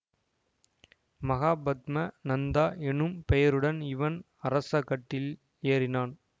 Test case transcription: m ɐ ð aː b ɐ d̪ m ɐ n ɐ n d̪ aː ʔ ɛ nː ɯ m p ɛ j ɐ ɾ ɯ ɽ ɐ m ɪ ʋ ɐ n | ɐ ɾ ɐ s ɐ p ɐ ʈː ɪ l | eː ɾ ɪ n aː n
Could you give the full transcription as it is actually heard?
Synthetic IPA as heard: m ɐ ɣ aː b ɐ d̪ m ɐ n ɐ n d̪ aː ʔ ɛ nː ɯ m p ɛ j ɐ ɾ ɯ ɽ ɐ n ɪ ʋ ɐ n | ɐ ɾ ɐ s ɐ k ɐ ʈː ɪ l | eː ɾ ɪ n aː n